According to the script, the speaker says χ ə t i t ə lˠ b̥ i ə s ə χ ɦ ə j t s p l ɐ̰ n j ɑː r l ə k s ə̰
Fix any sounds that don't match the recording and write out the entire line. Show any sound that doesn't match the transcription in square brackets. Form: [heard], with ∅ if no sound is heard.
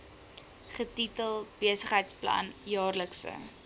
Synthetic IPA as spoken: χ ə t i t ə lˠ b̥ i ə s ə χ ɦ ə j t s p l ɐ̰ n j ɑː r l ə k s ə̰

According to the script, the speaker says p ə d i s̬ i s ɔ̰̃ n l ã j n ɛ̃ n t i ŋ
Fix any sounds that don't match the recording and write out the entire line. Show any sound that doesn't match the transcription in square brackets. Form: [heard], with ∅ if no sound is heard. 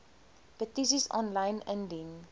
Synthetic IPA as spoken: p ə [t] i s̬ i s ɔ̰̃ n l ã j n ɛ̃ n [d] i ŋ

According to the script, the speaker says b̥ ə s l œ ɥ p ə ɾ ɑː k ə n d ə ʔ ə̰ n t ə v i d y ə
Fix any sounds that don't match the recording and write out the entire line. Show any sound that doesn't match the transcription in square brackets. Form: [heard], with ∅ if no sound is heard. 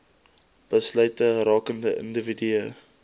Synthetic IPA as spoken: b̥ ə s l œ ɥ [t] ə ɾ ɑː k ə n d ə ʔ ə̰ n [d] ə v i d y ə

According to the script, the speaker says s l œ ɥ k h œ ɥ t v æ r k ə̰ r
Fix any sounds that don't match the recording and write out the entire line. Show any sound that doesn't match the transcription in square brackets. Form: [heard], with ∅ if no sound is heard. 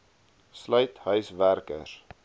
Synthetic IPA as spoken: s l œ ɥ [t] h œ ɥ [s] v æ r k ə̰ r

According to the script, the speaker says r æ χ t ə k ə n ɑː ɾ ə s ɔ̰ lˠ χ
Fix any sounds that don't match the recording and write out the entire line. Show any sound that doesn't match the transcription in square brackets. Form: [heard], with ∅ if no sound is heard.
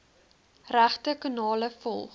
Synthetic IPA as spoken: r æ χ t ə k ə n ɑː [l] ə [f] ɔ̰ lˠ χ

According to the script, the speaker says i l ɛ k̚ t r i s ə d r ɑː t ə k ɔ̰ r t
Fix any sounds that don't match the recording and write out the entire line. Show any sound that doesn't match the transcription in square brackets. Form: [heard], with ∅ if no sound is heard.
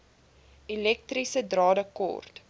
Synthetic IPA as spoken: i l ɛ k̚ t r i s ə d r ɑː [d] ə k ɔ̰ r t

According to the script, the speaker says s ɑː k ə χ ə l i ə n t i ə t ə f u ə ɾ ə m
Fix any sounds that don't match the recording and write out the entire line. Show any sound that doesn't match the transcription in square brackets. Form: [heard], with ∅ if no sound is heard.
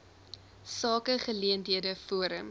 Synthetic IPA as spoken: s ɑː k ə χ ə l i ə n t i ə [d] ə f u ə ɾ ə m

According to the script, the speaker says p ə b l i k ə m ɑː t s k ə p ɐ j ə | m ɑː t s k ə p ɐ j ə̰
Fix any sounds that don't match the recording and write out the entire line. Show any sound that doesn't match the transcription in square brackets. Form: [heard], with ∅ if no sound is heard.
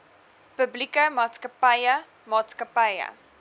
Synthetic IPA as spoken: p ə b l i k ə m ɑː t s k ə p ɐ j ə | m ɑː t s k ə p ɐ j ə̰

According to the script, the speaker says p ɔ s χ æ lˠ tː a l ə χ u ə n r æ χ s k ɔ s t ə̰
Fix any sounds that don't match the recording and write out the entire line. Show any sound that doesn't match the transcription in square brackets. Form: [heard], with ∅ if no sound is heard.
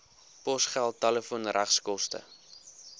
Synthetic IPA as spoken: p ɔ s χ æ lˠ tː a l ə [f] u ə n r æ χ s k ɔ s t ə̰

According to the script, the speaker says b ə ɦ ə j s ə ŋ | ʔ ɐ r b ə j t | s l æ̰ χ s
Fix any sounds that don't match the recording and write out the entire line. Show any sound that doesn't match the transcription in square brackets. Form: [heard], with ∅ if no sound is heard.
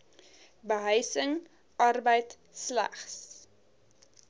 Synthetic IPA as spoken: b ə ɦ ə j s ə ŋ | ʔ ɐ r b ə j t | s l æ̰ χ s

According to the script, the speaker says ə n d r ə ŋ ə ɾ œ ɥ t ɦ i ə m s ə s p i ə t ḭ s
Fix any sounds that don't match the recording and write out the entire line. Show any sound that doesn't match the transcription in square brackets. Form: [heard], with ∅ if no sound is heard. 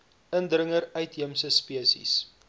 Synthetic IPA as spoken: ə n d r ə ŋ ə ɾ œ ɥ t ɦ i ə m s ə s p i ə [s] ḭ s

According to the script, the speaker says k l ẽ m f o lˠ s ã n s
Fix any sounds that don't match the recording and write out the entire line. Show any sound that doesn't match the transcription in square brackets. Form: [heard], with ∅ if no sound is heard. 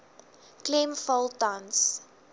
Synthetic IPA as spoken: k l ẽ m f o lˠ [t] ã n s

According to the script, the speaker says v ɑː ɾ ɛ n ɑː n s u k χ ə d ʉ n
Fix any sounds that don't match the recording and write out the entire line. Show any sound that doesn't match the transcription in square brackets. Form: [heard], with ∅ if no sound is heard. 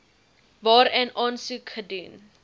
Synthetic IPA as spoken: v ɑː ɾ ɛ n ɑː n s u k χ ə d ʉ n

